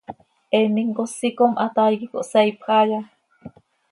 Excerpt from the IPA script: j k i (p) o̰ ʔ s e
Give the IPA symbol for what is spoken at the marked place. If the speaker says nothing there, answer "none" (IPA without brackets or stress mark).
k